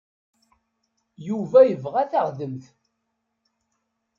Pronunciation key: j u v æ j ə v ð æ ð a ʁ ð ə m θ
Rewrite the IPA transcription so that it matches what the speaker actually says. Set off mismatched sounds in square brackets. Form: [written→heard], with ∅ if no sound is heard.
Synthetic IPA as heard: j u v æ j ə v [ð→ʁ] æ [ð→θ] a ʁ ð ə m θ